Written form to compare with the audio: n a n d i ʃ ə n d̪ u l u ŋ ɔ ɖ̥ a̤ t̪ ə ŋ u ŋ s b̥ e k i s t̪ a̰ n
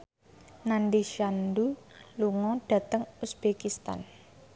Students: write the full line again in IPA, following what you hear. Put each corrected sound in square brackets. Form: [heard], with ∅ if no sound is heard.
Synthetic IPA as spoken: n a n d i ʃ [a] n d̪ u l u ŋ ɔ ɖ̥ a̤ t̪ ə ŋ u [∅] s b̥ e k i s t̪ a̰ n